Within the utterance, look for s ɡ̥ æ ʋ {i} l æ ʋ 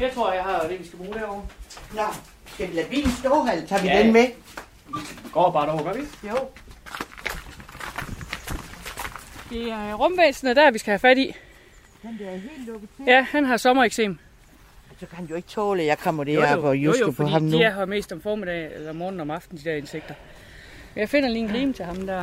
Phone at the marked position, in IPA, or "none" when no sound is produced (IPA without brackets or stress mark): i